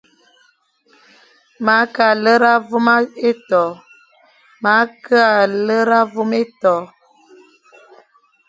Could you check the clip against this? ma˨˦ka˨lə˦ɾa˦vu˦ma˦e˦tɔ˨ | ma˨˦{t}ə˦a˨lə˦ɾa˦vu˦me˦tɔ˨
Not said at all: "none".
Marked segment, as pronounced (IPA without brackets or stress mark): k